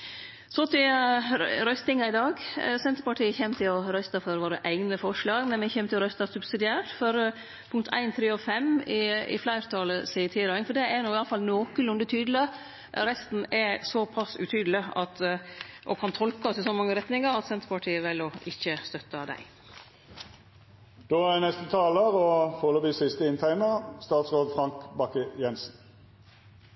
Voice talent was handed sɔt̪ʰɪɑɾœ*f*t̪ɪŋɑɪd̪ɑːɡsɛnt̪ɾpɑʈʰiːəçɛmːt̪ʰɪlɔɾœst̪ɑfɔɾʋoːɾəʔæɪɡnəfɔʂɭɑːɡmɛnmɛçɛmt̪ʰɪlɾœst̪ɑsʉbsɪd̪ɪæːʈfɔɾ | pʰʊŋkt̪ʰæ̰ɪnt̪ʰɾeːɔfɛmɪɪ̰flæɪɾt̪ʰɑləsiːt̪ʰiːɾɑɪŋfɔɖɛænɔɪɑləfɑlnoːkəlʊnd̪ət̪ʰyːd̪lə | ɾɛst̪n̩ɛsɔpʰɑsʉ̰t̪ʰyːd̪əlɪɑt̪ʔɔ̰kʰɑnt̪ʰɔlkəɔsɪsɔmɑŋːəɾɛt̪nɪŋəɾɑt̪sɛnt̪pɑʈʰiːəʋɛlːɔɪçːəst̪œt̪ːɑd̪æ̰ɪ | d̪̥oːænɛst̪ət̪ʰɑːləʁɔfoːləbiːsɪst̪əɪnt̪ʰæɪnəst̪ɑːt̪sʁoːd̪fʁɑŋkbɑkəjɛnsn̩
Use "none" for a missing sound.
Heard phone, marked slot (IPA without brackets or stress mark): s